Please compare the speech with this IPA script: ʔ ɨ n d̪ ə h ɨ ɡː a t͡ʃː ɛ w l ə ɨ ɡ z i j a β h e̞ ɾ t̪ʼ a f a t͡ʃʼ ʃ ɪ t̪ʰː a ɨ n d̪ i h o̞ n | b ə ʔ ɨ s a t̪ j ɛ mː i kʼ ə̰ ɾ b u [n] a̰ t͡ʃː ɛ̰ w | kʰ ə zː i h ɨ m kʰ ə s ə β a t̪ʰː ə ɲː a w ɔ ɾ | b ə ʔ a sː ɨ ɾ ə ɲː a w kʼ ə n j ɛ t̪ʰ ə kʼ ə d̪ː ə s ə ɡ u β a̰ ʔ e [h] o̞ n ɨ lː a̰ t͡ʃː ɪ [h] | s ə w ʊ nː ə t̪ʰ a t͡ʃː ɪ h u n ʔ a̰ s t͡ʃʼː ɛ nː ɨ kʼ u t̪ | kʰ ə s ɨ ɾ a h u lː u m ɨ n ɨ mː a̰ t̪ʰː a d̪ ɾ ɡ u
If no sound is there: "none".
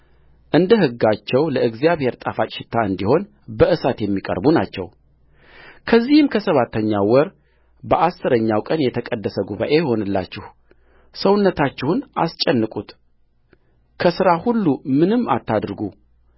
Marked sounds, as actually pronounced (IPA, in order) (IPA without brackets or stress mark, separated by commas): n, h, h